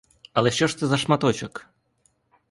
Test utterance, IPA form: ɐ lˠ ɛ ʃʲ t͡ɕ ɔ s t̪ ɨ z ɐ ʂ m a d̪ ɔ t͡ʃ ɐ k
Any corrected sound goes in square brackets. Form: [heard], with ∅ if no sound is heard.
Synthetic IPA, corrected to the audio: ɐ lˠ ɛ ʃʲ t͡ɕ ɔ [ʂ] t̪ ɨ z ɐ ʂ m a [t̪] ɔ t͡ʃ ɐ k